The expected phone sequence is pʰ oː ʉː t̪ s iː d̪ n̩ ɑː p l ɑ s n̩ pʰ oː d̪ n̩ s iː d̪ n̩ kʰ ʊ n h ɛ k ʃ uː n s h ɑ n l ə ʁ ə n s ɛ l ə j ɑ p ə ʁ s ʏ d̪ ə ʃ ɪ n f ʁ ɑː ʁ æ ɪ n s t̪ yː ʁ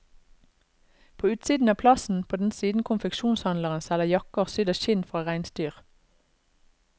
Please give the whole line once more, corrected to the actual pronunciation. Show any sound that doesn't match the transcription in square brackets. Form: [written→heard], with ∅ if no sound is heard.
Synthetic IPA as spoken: pʰ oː ʉː t̪ s iː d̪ n̩ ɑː [p→pʰ] l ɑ s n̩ pʰ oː d̪ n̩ s iː d̪ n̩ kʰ ʊ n [h→f] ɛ k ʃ uː n s h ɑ n l ə ʁ ə n s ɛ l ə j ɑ [p→k] ə ʁ s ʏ d̪ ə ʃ ɪ n f ʁ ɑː ʁ æ ɪ n s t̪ yː ʁ